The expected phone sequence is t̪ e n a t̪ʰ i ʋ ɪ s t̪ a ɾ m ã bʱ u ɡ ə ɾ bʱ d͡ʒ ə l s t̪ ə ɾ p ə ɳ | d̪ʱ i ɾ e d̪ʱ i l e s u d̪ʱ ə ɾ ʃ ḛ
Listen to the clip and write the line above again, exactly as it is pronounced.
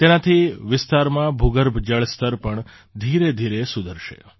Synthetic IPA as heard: t̪ e n a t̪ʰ i ʋ ɪ s t̪ a ɾ m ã bʱ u ɡ ə ɾ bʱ d͡ʒ ə ɭ s t̪ ə ɾ p ə ɳ | d̪ʱ i ɾ e d̪ʱ i ɾ e s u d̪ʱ ə ɾ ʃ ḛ